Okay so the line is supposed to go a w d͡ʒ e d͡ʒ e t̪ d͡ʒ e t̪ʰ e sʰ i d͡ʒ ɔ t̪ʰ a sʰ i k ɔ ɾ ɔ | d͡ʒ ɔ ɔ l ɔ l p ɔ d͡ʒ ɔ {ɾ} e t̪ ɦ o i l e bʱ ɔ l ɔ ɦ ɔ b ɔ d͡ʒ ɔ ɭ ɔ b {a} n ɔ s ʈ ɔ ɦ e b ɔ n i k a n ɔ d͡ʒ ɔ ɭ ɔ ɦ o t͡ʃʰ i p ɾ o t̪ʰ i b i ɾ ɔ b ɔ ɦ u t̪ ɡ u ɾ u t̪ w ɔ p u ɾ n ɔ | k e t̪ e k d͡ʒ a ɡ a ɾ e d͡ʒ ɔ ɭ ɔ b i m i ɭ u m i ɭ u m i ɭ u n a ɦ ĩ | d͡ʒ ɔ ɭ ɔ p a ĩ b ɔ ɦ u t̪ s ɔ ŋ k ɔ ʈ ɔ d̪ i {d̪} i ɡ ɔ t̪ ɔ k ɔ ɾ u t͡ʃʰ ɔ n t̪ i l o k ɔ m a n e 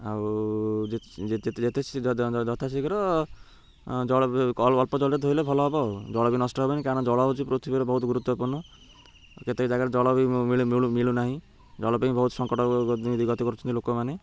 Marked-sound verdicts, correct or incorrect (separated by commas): incorrect, incorrect, correct